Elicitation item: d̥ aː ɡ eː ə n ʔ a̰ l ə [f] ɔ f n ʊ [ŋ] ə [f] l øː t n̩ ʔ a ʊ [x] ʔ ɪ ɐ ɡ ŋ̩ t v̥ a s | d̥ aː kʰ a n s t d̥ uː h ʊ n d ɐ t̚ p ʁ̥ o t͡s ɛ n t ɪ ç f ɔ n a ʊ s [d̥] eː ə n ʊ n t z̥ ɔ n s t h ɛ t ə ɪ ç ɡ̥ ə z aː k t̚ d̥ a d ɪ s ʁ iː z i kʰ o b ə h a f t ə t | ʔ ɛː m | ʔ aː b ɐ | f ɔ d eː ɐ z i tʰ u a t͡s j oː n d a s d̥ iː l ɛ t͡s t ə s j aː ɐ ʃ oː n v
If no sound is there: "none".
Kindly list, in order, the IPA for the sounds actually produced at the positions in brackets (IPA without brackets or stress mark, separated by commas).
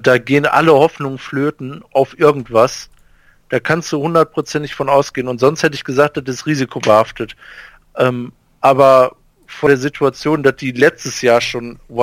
h, ŋ, f, f, ɡ̥